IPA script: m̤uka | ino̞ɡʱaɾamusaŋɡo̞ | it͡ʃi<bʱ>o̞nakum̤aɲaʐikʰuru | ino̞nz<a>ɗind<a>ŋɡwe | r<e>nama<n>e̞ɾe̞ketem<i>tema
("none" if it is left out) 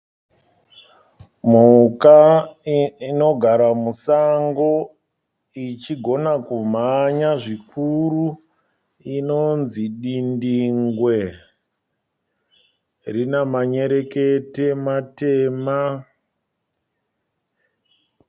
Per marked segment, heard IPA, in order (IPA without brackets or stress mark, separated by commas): ɡʱ, i, i, i, ɲ, a